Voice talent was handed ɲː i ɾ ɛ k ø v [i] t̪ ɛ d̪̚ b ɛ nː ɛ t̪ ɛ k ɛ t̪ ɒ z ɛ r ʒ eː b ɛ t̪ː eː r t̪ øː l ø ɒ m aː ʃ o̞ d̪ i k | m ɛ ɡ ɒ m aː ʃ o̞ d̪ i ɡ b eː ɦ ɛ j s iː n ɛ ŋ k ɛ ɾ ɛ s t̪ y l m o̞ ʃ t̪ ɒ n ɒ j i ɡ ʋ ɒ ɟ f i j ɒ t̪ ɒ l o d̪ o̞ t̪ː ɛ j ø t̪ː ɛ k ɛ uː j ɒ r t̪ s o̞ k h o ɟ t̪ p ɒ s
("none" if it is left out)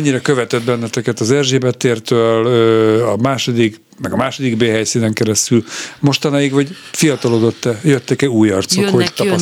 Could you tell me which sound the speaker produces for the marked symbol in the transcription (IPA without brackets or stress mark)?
ɛ